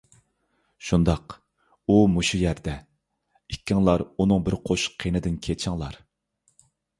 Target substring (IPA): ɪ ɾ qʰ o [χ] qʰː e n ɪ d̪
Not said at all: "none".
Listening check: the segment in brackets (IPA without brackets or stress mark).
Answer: ʃ